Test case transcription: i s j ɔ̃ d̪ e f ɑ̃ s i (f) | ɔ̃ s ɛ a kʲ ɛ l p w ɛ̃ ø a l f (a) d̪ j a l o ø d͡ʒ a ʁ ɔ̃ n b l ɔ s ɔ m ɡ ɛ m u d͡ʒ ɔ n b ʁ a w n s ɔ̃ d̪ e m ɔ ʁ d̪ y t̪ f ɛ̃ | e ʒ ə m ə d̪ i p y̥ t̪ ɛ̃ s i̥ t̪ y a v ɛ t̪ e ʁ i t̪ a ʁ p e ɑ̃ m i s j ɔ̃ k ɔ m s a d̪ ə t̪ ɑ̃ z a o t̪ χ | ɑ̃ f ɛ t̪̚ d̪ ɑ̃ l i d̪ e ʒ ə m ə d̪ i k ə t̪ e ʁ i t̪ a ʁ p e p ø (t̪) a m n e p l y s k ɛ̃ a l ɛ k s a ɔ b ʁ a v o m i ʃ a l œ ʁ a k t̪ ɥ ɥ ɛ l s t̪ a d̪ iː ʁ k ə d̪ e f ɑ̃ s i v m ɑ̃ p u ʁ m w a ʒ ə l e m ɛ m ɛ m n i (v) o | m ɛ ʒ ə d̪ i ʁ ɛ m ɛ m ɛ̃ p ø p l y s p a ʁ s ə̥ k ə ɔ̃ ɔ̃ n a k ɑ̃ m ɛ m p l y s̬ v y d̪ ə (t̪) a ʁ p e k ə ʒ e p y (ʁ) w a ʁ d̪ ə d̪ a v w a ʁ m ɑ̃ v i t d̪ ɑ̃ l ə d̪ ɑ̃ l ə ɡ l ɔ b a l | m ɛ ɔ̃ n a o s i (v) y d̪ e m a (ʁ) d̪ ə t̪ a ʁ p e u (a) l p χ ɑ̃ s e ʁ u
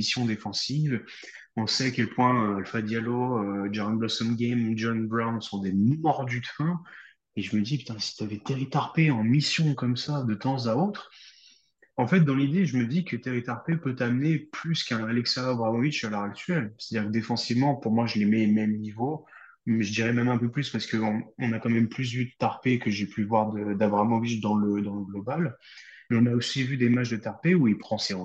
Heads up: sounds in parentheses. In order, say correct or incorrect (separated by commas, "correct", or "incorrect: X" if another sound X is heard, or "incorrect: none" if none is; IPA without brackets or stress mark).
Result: incorrect: v, correct, correct, correct, correct, incorrect: v, correct, incorrect: ʒ, incorrect: i